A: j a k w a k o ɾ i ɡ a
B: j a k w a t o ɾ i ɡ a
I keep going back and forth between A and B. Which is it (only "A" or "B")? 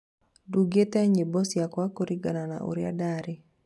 A